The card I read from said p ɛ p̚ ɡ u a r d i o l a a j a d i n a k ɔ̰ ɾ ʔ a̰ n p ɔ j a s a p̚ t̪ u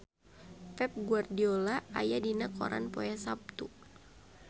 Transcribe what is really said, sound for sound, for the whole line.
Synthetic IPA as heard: p ɛ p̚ ɡ u a r d i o l a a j a d i n a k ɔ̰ ɾ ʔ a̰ n p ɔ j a s a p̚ t̪ u